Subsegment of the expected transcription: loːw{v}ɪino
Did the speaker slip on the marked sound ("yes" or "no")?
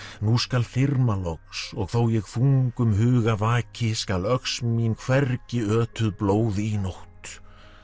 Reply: yes